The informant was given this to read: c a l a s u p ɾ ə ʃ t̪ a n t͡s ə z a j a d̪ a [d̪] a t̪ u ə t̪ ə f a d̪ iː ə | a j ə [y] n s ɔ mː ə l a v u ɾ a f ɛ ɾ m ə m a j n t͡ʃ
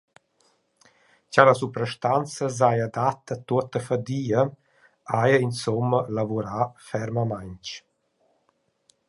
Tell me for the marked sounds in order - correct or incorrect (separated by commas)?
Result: incorrect, incorrect